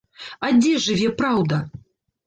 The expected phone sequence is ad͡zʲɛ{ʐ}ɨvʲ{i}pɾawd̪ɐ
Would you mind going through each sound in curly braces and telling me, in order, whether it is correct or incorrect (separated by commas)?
correct, incorrect